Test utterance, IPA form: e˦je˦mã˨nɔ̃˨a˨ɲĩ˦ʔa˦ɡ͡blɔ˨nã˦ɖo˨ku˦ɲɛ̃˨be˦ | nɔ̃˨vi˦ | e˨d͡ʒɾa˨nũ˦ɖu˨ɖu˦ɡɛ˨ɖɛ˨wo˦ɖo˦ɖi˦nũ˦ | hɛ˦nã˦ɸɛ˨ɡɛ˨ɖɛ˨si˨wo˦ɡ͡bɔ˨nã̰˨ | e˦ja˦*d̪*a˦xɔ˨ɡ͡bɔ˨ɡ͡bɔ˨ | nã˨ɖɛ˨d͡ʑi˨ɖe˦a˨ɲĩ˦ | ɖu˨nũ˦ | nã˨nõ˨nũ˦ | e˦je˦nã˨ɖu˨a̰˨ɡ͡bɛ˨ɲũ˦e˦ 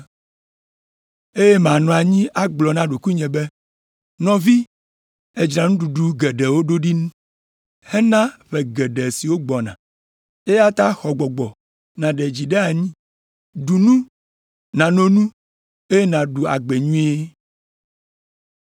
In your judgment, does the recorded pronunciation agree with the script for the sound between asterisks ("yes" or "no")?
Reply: no